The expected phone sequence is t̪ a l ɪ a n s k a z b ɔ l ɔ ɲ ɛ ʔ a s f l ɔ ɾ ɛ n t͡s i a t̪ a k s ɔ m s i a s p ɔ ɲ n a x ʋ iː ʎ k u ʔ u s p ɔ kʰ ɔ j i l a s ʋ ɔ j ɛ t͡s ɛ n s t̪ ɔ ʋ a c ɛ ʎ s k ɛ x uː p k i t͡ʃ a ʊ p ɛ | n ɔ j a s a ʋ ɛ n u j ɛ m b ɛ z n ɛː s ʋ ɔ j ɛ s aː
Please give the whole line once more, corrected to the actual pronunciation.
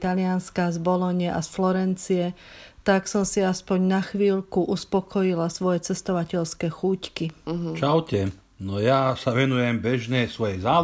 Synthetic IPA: t̪ a l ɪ a n s k a z b ɔ l ɔ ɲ ɛ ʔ a s f l ɔ ɾ ɛ n t͡s i ɛ t̪ a k s ɔ m s i a s p ɔ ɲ n a x ʋ iː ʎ k u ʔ u s p ɔ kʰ ɔ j i l a s ʋ ɔ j ɛ t͡s ɛ s t̪ ɔ ʋ a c ɛ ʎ s k ɛ x uː c k i t͡ʃ a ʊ c ɛ | n ɔ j a s a ʋ ɛ n u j ɛ m b ɛ ʒ n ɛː s ʋ ɔ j ɛ z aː